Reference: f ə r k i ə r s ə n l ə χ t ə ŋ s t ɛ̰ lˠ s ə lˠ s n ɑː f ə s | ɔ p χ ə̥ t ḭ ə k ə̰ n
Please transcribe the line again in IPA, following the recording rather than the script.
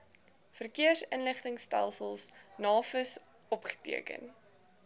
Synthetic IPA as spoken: f ə r k i ə r s ə n l ə χ t ə ŋ s t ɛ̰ lˠ s ə lˠ s n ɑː f ə s | ɔ p χ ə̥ t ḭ ə k ə̰ n